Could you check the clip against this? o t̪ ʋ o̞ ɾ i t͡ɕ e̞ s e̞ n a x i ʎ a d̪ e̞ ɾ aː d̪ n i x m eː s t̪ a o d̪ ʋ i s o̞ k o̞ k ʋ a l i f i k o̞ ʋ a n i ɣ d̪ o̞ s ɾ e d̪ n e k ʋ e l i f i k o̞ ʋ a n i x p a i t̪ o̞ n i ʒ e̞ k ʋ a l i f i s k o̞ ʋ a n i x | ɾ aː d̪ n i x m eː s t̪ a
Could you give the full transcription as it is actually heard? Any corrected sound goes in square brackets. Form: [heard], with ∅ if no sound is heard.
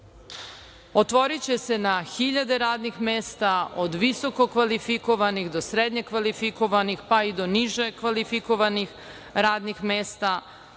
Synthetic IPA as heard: o t̪ ʋ o̞ ɾ i t͡ɕ e̞ s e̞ n a x i ʎ a d̪ e̞ ɾ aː d̪ n i x m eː s t̪ a o d̪ ʋ i s o̞ k o̞ k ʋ a l i f i k o̞ ʋ a n i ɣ d̪ o̞ s ɾ e d̪ [ɲ] e k ʋ [a] l i f i k o̞ ʋ a n i x p a i [d̪] o̞ n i ʒ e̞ k ʋ a l i f i [∅] k o̞ ʋ a n i x | ɾ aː d̪ n i x m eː s t̪ a